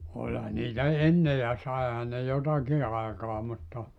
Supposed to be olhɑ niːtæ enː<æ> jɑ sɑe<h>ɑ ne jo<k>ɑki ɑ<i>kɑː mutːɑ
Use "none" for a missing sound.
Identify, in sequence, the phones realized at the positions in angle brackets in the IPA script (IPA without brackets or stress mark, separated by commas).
e, h, t, e